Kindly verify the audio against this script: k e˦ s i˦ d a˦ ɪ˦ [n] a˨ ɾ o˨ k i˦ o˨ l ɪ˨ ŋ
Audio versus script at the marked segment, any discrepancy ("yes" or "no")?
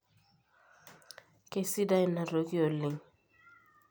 no